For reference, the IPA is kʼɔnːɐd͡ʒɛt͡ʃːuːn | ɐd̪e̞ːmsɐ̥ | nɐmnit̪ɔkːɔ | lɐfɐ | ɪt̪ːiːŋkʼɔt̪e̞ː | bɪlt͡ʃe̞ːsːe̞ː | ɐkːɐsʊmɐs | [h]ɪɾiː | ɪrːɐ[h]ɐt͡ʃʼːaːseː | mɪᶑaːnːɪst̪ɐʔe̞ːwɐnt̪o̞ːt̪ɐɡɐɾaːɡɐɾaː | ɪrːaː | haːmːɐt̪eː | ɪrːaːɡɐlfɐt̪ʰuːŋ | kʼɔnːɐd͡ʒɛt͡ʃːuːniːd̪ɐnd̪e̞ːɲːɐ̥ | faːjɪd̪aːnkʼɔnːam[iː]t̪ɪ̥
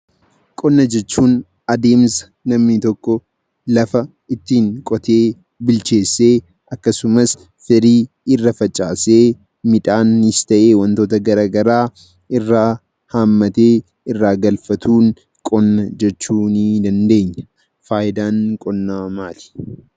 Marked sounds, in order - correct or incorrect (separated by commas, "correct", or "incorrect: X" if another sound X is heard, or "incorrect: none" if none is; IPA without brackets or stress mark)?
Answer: incorrect: f, incorrect: f, incorrect: aː